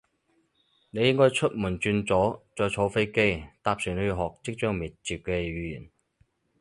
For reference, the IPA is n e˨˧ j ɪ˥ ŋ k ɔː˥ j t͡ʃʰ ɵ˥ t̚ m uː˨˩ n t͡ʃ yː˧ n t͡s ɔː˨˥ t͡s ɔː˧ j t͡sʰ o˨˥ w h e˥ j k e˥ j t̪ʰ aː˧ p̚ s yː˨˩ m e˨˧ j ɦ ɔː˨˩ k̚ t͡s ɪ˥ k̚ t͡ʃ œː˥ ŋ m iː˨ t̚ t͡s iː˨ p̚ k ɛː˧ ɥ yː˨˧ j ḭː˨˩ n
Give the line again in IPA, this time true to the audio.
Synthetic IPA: n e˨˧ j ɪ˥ ŋ k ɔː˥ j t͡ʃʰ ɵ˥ t̚ m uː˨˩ n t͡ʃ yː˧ n t͡s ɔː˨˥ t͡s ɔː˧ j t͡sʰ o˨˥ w f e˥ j k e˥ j t̪ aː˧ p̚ s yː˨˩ n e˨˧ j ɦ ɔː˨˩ k̚ t͡s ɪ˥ k̚ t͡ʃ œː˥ ŋ m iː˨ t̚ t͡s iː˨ p̚ k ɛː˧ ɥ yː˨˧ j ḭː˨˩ n